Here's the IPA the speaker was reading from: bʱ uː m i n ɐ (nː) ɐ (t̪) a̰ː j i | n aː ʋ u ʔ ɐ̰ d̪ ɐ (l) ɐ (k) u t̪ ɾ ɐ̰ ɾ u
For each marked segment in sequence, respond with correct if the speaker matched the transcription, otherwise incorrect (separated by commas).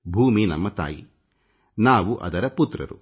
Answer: incorrect, correct, incorrect, incorrect